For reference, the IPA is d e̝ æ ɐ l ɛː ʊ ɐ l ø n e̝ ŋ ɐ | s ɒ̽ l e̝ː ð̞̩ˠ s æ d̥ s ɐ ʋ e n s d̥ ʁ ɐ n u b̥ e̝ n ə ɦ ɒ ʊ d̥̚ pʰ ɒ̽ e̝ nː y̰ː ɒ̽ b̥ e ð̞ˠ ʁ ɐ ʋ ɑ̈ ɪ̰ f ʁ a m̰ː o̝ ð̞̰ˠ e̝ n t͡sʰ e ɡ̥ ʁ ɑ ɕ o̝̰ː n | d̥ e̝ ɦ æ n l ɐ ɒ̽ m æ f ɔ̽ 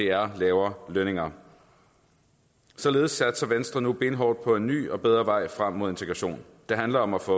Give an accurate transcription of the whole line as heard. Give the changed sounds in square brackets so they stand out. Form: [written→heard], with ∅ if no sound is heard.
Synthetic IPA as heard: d e̝ æ ɐ l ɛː ʊ ɐ l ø n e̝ ŋ ɐ | s ɒ̽ l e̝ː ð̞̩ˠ s æ d̥ s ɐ ʋ e n s d̥ ʁ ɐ n u b̥ e̝ n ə ɦ ɒ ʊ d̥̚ pʰ ɒ̽ e̝ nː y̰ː ɒ̽ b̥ e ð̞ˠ ʁ ɐ ʋ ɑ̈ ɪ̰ f ʁ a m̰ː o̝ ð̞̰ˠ e̝ n t͡sʰ e ɡ̥ ʁ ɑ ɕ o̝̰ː n | d̥ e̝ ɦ æ n l ɐ ɒ̽ m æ f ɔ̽